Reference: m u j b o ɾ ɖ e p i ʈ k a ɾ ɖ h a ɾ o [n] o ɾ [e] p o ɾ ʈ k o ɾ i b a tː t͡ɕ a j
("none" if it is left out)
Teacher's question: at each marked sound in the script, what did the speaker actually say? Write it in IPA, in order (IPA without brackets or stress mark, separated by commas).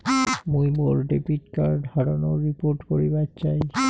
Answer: n, i